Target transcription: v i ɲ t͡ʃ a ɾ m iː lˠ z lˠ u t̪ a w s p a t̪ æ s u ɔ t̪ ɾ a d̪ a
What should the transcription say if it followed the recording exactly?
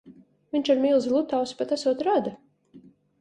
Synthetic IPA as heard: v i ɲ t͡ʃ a ɾ m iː lˠ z lˠ u t̪ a w s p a t̪ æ s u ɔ t̪ ɾ a d̪ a